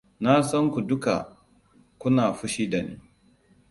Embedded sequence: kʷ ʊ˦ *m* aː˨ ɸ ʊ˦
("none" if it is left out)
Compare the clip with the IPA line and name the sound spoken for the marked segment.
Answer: n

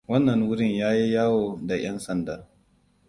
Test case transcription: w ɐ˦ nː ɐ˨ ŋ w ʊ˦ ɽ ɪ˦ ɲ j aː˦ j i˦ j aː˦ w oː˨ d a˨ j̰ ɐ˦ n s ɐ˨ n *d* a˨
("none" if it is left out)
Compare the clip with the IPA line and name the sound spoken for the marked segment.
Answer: d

